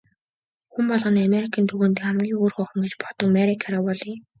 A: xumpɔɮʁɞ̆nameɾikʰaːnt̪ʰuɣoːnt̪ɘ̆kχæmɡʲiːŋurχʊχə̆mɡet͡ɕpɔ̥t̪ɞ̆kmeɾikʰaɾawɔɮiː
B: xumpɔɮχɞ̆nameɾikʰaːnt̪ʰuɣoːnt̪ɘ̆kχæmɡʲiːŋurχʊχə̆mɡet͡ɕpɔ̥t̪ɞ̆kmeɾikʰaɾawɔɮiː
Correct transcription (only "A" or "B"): A